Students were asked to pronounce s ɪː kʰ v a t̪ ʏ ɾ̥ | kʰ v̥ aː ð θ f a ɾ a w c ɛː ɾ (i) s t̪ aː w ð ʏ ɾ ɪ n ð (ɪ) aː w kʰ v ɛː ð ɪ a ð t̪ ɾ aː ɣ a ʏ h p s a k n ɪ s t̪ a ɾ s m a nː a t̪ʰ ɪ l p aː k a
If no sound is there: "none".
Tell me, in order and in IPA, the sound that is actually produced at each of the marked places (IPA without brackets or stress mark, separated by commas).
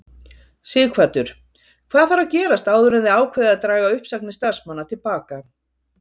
a, ɪ